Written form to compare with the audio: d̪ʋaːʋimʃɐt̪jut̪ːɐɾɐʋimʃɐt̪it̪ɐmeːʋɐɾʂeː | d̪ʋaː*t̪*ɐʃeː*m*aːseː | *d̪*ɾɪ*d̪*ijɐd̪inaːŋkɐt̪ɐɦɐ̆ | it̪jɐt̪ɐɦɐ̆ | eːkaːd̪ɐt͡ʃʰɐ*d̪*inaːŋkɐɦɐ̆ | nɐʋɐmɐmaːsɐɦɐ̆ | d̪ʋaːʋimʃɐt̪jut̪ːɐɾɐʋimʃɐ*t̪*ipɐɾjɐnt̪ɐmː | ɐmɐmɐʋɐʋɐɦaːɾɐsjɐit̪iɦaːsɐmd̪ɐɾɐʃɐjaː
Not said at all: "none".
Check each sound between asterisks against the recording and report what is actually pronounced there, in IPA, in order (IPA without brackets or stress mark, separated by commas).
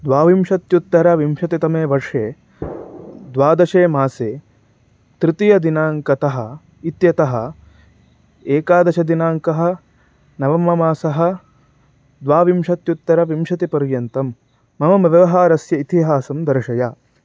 d̪, m, t̪, t̪, d̪, t̪